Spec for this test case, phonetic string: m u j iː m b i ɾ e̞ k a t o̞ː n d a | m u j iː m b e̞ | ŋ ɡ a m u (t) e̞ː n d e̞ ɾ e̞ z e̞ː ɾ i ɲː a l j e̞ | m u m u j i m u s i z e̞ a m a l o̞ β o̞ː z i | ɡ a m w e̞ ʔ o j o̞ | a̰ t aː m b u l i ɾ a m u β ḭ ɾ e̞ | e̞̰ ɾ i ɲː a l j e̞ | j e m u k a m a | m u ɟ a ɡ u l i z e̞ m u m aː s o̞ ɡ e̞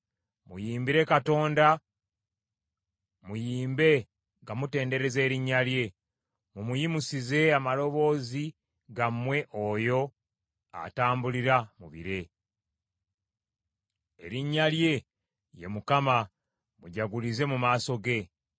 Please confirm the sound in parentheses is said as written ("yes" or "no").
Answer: yes